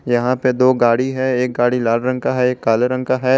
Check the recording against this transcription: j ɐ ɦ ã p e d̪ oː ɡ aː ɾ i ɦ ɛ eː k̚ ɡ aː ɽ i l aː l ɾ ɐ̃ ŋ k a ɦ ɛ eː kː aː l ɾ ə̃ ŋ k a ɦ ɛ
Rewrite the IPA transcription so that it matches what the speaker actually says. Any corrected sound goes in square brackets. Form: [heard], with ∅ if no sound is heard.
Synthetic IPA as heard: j ɐ ɦ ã p e d̪ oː ɡ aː [ɽ] i ɦ ɛ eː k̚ ɡ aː ɽ i l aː l ɾ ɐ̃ ŋ k a ɦ ɛ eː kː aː l ɾ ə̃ ŋ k a ɦ ɛ